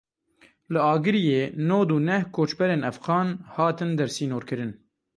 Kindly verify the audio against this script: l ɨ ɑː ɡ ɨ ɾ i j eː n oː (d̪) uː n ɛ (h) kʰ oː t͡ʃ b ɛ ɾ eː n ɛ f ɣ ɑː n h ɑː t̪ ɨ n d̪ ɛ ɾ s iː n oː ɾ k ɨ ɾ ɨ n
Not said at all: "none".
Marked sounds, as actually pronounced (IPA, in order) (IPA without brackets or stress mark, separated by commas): d̪, h